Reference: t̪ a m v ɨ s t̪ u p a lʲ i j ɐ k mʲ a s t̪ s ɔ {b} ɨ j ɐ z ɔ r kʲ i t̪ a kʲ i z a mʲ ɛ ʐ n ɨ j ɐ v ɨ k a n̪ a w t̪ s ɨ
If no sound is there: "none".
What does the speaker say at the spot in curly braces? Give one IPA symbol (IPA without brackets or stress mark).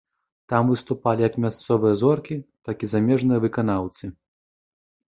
v